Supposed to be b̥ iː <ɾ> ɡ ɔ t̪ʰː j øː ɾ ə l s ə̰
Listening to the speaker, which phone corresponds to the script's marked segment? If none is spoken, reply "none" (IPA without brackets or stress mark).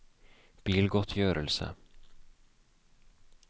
l